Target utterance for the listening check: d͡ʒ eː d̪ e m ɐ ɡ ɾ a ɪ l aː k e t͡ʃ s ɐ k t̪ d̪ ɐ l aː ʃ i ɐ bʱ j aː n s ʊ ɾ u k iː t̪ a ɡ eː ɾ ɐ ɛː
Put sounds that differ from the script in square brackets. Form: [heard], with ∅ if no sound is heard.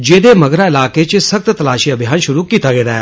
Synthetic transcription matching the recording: d͡ʒ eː d̪ e m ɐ ɡ ɾ a ɪ l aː k e t͡ʃ s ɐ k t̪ [t̪] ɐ l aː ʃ i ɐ bʱ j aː n [ʃ] ʊ ɾ u k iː t̪ a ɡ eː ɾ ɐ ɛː